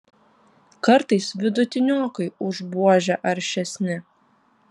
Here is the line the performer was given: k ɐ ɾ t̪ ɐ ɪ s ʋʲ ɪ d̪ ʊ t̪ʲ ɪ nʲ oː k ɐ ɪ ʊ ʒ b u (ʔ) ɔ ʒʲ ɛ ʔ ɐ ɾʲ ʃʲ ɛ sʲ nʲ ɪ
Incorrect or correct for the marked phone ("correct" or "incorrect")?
incorrect